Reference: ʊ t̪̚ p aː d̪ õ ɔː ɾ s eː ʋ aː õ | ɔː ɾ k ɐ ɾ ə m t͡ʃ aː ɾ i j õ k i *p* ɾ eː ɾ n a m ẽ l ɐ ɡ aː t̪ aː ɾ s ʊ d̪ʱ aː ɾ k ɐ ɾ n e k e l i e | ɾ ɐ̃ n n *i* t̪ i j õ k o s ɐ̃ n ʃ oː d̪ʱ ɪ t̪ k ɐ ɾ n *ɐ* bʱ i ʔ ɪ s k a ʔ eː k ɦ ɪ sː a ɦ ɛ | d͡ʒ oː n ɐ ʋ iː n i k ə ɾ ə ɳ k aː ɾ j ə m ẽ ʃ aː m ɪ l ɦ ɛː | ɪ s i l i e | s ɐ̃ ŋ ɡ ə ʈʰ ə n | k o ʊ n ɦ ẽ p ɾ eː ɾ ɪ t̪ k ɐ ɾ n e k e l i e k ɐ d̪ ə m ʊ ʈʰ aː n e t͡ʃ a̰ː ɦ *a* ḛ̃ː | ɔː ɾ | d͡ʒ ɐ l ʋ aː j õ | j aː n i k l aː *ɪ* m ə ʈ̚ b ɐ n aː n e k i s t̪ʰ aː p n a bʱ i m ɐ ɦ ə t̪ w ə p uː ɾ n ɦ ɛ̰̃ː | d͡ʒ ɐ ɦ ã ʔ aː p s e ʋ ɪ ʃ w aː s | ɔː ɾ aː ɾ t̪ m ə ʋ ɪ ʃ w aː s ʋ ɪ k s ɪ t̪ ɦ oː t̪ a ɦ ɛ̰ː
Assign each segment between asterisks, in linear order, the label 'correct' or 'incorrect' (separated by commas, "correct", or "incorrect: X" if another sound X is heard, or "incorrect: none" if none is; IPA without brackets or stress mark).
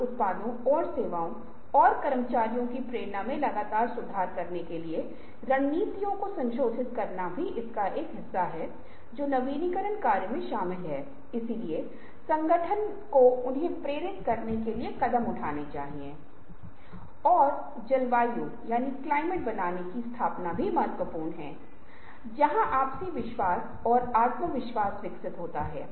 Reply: correct, incorrect: iː, incorrect: a, incorrect: i, correct